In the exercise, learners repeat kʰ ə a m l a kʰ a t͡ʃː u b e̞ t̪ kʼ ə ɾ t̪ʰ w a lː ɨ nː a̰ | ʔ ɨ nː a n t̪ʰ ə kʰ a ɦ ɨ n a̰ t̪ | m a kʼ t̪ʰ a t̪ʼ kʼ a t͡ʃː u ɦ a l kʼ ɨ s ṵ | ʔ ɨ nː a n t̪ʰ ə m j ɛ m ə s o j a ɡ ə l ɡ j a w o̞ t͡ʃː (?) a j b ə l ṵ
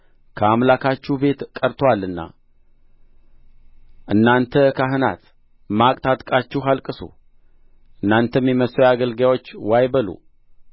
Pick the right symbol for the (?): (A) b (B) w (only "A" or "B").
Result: B